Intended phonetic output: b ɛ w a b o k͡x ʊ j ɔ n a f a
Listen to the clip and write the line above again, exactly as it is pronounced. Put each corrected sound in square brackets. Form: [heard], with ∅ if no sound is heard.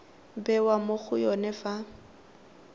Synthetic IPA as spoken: b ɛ w a [m] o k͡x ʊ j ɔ n [ɛ] f a